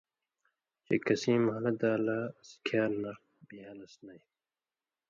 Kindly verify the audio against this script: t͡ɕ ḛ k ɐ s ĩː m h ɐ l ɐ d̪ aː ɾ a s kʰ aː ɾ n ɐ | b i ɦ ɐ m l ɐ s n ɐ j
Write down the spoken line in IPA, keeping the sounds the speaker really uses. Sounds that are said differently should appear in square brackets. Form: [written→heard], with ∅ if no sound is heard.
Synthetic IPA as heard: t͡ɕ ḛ k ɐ s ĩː m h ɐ l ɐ d̪ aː [ɾ→l] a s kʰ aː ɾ n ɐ | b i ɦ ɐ [m→∅] l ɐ s n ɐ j

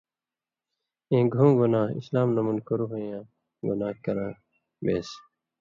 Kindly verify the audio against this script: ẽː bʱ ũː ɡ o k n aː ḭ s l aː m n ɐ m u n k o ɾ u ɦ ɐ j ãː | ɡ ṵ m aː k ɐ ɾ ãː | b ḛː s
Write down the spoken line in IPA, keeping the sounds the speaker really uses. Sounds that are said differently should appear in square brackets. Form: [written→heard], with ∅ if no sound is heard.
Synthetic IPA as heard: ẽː [bʱ→ɡʱ] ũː ɡ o [k→∅] n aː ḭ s l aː m n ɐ m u n k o ɾ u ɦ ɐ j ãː | ɡ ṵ [m→n] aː k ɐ ɾ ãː | b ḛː s

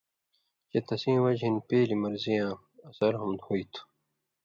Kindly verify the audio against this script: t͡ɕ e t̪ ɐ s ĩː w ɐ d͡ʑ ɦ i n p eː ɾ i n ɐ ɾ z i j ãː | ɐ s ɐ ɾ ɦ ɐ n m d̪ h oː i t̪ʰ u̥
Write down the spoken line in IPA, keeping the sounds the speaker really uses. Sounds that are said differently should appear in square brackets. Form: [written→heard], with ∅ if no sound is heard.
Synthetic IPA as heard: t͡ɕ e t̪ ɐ s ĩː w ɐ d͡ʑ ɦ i n p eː [ɾ→l] i [n→m] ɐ ɾ z i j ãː | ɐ s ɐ ɾ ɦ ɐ [n→∅] m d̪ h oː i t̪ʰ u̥

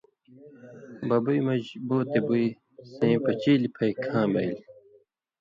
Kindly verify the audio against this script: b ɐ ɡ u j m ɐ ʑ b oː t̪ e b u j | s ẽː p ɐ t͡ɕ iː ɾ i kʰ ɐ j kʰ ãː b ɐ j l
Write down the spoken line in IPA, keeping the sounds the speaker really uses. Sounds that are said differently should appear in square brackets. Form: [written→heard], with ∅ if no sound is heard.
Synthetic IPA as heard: b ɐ [ɡ→b] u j m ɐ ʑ b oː t̪ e b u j | s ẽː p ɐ t͡ɕ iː [ɾ→l] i [kʰ→pʰ] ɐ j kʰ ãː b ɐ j l

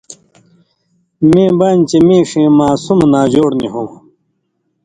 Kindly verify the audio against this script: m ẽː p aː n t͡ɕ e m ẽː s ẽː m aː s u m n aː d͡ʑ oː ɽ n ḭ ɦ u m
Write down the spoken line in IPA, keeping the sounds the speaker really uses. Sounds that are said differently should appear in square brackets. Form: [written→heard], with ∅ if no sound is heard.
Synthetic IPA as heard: m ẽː [p→b] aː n t͡ɕ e m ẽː [s→ʂ] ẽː m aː s u m n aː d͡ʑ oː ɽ n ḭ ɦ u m

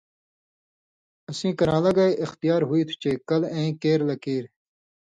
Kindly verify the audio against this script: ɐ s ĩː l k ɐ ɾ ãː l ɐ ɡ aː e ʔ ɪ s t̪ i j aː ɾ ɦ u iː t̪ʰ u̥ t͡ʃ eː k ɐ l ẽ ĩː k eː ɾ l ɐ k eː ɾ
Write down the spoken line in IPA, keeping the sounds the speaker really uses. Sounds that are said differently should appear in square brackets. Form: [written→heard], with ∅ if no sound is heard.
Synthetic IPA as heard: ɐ s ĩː [l→∅] k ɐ ɾ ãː l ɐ ɡ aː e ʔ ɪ [s→x] t̪ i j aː ɾ ɦ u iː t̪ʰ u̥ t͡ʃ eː k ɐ l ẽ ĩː k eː ɾ l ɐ k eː ɾ

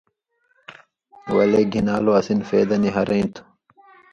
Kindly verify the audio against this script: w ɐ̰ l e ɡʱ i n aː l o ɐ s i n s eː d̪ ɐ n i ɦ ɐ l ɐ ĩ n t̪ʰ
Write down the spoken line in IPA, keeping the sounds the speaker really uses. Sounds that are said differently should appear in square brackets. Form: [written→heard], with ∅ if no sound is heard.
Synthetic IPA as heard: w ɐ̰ l e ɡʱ i n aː l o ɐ s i n [s→f] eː d̪ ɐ n i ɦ ɐ [l→ɾ] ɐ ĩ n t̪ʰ

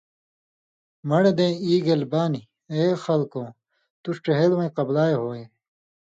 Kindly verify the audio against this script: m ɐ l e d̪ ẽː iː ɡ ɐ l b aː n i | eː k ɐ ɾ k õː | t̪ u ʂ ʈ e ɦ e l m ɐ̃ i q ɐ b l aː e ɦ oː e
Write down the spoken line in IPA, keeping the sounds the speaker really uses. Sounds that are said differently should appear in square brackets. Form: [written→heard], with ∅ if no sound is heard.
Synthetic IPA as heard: m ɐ [l→ɽ] e d̪ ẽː iː ɡ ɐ l b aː n i | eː [k→x] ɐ [ɾ→l] k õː | t̪ u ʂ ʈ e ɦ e l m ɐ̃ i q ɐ b l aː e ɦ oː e

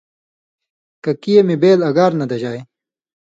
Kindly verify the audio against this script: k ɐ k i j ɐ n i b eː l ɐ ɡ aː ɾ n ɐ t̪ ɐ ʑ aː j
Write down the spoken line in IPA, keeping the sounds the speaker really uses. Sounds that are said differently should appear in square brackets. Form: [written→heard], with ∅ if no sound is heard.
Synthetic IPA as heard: k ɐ k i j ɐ [n→m] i b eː l ɐ ɡ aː ɾ n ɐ [t̪→d̪] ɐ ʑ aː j

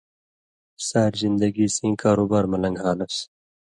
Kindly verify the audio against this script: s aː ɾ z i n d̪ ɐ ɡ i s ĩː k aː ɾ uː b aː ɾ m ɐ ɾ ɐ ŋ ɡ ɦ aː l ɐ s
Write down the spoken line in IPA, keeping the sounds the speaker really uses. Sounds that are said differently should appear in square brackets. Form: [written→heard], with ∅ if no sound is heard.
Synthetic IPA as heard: s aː ɾ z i n d̪ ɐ ɡ i s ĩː k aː ɾ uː b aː ɾ m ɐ [ɾ→l] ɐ ŋ ɡ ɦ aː l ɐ s

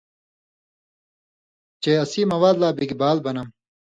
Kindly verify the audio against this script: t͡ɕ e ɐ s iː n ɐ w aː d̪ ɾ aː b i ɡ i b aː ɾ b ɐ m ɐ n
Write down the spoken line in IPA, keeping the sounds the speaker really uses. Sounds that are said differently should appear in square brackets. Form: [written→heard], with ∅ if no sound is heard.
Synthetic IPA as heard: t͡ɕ e ɐ s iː [n→m] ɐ w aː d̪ [ɾ→l] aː b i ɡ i b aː [ɾ→l] b ɐ [m→n] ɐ [n→m]

